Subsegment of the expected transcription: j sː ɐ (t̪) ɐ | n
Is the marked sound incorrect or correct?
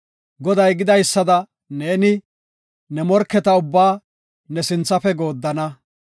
incorrect